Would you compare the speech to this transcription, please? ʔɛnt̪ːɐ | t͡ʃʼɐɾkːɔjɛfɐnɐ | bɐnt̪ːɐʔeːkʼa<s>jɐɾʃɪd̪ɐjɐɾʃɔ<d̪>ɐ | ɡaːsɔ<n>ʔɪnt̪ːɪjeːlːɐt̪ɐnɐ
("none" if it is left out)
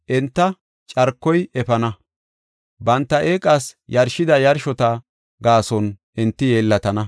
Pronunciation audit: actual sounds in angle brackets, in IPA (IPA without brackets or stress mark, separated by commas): s, t̪, n